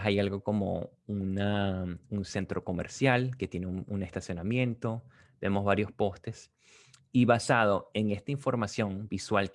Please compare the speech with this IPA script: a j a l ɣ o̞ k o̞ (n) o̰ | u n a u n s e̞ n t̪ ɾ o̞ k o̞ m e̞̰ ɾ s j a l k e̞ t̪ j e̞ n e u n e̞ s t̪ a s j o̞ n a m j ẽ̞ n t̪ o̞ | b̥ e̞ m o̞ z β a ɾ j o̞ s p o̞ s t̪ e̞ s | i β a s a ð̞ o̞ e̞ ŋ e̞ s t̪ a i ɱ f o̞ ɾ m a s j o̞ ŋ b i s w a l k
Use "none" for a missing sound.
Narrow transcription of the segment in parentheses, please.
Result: m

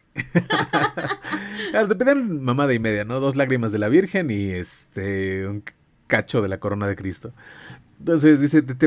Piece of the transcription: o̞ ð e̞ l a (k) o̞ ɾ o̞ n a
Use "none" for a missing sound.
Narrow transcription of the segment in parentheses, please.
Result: k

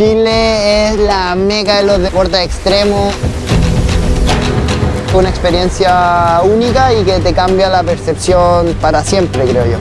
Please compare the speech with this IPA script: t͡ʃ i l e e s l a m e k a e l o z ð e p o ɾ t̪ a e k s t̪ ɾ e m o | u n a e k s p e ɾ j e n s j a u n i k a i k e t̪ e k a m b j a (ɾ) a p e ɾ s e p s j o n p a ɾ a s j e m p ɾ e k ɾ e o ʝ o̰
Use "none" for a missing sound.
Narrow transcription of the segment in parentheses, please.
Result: l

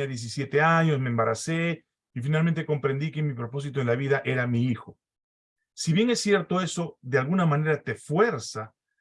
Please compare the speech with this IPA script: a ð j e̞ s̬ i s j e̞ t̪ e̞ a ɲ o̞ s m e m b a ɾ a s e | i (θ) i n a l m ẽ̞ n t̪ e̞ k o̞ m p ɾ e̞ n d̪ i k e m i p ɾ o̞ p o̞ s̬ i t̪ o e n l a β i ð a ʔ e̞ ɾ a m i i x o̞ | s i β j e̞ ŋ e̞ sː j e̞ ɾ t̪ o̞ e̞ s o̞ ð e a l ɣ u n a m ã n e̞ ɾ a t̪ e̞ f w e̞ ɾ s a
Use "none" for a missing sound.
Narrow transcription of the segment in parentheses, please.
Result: f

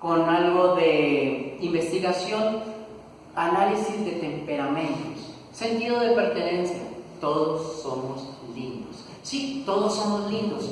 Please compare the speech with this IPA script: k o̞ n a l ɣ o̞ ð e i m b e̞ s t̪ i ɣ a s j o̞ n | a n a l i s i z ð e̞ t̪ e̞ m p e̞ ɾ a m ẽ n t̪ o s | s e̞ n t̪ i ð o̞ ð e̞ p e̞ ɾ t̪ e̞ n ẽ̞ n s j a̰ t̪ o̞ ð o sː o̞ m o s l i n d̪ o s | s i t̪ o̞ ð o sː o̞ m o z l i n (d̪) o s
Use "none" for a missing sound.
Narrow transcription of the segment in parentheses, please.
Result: d̪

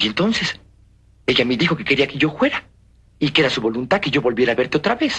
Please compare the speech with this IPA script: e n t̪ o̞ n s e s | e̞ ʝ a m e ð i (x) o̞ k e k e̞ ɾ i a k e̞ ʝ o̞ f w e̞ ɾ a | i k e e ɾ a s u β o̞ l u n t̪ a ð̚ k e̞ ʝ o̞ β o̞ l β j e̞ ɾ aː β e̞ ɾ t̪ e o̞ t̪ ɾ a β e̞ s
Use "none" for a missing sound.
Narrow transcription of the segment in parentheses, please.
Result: x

